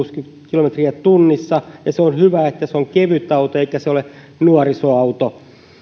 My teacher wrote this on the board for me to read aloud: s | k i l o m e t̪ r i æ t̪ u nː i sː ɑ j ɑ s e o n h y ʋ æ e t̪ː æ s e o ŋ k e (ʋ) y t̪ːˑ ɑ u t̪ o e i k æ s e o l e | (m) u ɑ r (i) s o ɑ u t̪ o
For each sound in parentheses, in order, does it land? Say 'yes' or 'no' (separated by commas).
yes, no, yes